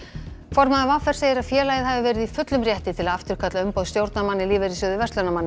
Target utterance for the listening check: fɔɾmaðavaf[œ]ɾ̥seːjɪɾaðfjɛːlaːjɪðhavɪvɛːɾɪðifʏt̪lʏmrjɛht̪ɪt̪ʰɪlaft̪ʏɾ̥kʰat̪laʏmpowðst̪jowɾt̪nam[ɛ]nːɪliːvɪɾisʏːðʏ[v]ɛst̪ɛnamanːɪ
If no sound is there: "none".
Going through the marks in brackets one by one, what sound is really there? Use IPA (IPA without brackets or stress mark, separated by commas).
ɛ, a, v